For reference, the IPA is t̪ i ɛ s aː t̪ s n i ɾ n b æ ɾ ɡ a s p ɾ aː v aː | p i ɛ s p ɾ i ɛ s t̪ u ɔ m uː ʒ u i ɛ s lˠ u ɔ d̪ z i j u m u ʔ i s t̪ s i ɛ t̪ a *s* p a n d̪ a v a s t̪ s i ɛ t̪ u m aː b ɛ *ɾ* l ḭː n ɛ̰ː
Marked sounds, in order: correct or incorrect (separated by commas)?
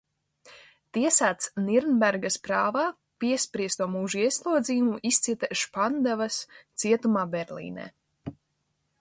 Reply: incorrect, correct